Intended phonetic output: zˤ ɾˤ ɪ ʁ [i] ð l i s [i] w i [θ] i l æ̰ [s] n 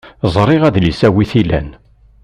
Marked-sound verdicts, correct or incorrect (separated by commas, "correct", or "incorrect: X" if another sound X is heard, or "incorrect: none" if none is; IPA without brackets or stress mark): incorrect: æ, incorrect: æ, correct, incorrect: none